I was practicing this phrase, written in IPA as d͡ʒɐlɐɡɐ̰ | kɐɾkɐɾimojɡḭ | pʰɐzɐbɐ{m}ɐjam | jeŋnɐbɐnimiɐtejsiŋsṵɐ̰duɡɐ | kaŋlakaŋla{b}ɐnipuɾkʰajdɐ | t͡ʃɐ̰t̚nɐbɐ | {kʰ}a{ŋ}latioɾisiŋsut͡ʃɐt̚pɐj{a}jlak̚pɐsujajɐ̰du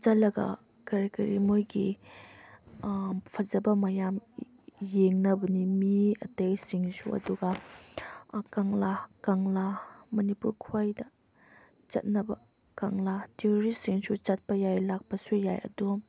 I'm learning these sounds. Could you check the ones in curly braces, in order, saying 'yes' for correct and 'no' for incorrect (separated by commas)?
yes, no, no, yes, yes